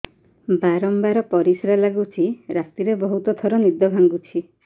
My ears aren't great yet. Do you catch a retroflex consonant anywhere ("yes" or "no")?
no